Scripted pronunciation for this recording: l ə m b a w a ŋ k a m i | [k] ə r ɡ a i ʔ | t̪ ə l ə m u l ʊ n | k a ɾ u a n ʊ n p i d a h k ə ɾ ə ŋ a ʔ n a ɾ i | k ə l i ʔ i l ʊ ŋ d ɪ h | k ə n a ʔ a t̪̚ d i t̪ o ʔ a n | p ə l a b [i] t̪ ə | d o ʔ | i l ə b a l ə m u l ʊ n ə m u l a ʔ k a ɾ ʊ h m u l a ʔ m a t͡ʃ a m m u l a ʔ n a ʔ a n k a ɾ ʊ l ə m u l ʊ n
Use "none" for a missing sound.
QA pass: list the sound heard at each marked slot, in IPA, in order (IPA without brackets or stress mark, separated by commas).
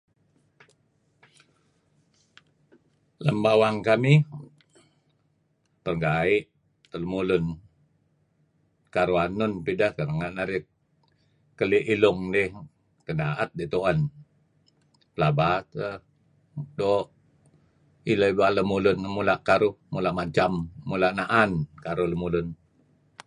p, a